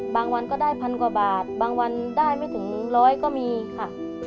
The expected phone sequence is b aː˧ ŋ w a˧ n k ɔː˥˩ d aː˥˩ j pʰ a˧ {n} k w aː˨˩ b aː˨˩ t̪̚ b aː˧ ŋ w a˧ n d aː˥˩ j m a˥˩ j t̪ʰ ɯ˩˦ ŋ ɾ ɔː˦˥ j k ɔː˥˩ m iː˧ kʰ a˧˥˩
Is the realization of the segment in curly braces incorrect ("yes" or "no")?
no